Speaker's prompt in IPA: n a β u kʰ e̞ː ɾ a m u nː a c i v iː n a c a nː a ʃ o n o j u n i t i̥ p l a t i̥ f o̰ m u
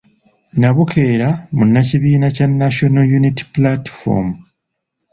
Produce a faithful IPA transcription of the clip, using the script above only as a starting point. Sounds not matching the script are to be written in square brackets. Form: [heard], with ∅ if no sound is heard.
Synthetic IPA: n a β u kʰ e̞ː ɾ a m u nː a c i [β] iː n a c a nː a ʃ o n o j u n i t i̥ p l a t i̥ f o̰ m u